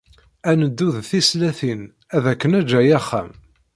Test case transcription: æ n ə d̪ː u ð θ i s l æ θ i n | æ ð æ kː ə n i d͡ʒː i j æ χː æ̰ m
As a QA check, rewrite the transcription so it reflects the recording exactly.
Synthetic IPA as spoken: æ n ə d̪ː u ð θ i s l æ θ i n | æ ð æ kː ə n æ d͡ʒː æ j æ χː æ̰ m